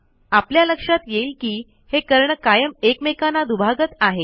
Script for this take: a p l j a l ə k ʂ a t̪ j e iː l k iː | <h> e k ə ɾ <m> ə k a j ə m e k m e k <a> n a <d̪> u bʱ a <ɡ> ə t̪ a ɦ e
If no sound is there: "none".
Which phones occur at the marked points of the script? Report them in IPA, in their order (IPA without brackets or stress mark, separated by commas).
h, ɳ, a, d̪, ɡ